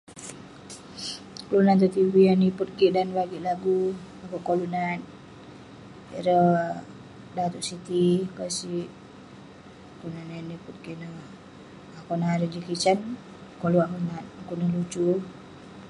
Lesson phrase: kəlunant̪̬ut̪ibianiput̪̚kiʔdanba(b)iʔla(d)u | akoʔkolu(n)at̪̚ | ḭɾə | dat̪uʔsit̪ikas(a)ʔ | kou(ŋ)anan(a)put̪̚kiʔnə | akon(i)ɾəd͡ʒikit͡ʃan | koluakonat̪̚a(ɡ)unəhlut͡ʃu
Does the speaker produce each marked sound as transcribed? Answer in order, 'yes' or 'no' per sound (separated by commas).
no, no, yes, no, no, no, no, no